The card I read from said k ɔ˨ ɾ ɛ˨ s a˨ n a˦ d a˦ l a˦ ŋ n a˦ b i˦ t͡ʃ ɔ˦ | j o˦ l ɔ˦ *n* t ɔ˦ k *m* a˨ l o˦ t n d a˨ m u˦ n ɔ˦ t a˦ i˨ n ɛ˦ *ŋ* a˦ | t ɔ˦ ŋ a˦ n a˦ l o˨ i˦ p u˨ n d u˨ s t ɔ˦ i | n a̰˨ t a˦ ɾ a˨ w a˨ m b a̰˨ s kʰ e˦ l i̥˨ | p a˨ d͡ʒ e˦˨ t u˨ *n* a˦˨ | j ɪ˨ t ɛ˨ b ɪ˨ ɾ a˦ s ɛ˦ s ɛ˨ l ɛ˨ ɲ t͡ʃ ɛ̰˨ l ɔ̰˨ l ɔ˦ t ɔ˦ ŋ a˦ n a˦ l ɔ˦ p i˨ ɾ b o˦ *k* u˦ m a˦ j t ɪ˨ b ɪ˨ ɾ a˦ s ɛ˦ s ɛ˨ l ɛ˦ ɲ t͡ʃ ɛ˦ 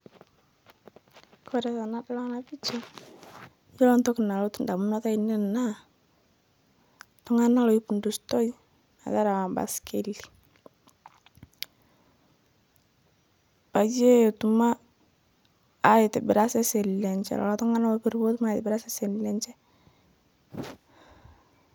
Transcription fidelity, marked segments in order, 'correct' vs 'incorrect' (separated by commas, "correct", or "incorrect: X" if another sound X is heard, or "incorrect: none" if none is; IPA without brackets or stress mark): correct, incorrect: n, incorrect: n, incorrect: m, incorrect: t